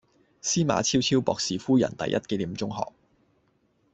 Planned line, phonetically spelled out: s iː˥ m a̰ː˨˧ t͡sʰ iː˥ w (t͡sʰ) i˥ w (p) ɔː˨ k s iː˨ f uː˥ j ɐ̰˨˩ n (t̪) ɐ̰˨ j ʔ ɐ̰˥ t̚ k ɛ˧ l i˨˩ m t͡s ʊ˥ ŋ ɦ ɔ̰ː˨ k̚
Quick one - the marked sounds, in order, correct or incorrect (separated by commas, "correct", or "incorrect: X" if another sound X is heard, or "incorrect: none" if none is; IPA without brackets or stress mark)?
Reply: correct, correct, correct